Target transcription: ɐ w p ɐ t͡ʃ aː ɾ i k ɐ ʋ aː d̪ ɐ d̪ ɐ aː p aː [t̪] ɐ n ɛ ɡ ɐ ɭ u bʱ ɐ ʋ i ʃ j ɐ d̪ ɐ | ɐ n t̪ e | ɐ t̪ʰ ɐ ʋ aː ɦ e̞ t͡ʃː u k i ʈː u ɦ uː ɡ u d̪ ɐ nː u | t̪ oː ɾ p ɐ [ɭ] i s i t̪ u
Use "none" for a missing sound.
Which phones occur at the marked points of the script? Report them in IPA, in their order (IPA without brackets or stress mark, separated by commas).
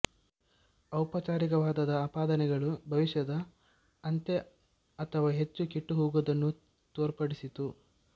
d̪, ɽ